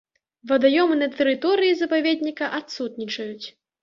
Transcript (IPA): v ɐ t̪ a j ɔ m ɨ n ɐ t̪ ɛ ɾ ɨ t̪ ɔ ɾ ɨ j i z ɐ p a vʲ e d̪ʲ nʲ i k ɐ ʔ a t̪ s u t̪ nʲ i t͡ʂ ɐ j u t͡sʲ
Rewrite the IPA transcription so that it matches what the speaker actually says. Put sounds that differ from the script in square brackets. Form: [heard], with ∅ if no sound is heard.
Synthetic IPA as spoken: v ɐ [d̪] a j ɔ m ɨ n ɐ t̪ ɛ ɾ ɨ t̪ ɔ ɾ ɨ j i z ɐ p a vʲ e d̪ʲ nʲ i k ɐ ʔ a t̪ s u t̪ nʲ i t͡ʂ ɐ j u t͡sʲ